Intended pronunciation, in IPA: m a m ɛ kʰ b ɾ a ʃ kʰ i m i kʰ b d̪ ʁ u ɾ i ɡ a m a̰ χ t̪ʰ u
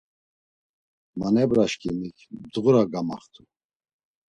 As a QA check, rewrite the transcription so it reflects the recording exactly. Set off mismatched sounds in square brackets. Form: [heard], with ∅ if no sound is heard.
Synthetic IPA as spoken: m a [n] ɛ [∅] b ɾ a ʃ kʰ i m i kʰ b d̪ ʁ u ɾ [a] ɡ a m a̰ χ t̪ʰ u